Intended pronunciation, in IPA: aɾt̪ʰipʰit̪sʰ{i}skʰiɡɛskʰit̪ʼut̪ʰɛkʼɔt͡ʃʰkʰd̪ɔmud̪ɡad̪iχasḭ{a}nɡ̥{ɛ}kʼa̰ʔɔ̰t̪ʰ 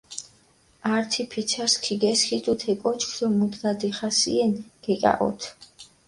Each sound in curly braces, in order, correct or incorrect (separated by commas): incorrect, incorrect, correct